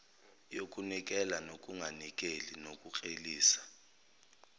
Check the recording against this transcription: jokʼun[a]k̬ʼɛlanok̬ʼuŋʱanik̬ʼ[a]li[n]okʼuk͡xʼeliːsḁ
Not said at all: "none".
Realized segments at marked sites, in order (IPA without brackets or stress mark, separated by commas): i, e, n